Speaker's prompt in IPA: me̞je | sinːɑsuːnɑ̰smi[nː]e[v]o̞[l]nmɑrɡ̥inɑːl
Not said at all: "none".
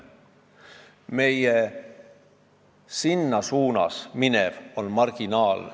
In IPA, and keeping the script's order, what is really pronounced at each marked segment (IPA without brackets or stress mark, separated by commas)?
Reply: n, v, none